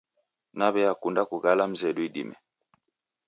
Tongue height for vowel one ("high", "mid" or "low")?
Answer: low